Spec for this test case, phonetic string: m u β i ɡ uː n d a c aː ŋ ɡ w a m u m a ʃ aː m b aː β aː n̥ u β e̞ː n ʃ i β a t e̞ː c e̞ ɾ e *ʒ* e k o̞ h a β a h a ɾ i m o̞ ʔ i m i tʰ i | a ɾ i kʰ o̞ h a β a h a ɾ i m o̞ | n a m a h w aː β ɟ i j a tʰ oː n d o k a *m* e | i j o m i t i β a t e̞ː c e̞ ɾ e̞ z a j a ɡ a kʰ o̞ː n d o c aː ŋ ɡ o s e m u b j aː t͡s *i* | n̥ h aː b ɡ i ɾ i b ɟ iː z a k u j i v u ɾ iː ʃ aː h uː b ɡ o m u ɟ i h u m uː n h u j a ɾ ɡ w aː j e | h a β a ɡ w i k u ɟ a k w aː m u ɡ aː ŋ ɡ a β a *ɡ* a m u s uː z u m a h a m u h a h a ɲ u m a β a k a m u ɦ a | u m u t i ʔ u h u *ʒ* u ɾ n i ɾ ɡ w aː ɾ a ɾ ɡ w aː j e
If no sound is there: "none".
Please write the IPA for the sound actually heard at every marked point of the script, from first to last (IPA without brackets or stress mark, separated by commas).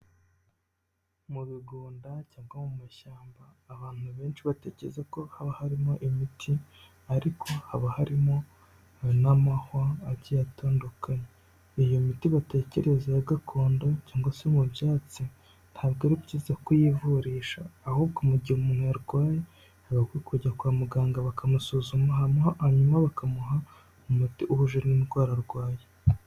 z, ɲ, i, k, ʒ